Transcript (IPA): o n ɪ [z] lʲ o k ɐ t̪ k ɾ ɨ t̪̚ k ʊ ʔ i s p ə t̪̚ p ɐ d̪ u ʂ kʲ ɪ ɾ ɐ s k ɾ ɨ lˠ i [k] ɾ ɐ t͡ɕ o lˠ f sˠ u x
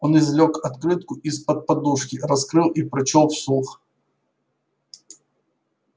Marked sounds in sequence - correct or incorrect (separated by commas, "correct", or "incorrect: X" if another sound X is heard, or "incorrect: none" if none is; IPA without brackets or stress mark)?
correct, incorrect: p